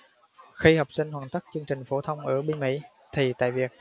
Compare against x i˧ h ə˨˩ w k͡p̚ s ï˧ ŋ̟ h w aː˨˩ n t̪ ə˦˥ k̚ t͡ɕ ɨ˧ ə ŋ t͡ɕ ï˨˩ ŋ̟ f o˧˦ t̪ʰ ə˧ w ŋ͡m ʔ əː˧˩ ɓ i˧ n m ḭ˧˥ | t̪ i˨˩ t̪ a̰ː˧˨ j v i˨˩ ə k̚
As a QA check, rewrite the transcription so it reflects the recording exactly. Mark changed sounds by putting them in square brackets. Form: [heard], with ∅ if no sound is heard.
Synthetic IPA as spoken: x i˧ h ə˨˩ w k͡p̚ s ï˧ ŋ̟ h w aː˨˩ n t̪ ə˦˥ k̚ t͡ɕ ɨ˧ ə ŋ t͡ɕ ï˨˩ ŋ̟ f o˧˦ t̪ʰ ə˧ w ŋ͡m ʔ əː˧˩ ɓ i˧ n m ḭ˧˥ | [t̪ʰ] i˨˩ t̪ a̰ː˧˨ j v i˨˩ ə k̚